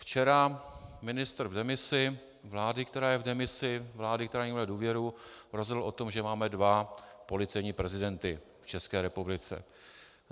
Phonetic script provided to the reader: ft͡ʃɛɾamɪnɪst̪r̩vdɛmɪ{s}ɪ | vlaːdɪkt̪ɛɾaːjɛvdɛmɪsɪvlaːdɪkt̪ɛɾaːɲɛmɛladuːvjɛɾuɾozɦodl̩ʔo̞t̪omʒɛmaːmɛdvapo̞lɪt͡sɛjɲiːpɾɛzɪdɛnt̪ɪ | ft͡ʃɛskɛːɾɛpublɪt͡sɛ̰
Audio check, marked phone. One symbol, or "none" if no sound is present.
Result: s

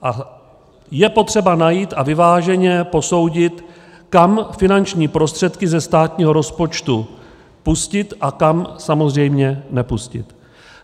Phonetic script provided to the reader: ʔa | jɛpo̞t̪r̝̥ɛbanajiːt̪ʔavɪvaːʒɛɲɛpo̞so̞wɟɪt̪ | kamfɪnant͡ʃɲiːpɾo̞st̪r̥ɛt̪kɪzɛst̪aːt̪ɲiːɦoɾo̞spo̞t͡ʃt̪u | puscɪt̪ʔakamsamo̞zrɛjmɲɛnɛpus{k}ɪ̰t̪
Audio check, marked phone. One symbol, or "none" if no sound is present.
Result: c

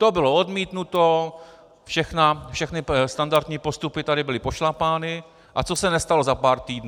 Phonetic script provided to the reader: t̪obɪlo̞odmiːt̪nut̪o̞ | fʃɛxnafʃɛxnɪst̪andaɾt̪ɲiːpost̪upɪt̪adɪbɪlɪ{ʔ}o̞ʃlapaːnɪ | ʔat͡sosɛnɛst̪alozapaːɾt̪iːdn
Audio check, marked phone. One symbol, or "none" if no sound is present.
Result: p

